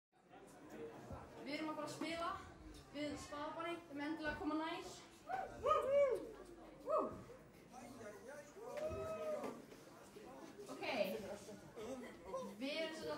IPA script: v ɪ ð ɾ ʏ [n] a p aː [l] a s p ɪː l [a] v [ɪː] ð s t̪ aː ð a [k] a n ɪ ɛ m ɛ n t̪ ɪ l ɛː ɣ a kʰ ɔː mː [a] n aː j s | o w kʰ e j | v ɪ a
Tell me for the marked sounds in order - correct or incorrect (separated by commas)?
incorrect, incorrect, correct, incorrect, incorrect, correct